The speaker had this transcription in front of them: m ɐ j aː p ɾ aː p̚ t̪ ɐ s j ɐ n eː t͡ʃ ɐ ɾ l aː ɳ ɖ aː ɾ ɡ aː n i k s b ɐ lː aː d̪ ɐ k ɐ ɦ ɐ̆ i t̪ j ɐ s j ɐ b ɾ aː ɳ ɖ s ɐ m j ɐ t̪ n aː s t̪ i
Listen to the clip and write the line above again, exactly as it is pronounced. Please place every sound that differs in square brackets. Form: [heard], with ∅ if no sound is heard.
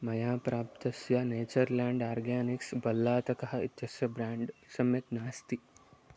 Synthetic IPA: m ɐ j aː p ɾ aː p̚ t̪ ɐ s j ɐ n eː t͡ʃ ɐ ɾ l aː ɳ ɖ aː ɾ ɡ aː n i k s b ɐ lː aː [t̪] ɐ k ɐ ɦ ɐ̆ i t̪ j ɐ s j ɐ b ɾ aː ɳ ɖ s ɐ m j ɐ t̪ n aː s t̪ i